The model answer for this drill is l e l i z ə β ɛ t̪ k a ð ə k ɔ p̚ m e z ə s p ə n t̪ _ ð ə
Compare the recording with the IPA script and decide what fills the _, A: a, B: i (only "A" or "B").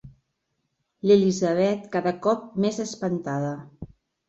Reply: A